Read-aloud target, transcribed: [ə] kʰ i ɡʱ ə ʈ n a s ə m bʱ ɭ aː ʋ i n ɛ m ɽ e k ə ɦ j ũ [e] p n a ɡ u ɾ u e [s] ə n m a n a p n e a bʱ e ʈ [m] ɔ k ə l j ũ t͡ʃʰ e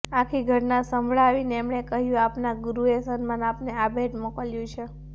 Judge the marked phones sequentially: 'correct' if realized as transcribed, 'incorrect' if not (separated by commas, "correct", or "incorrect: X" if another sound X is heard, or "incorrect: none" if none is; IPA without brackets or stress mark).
incorrect: a, incorrect: a, correct, correct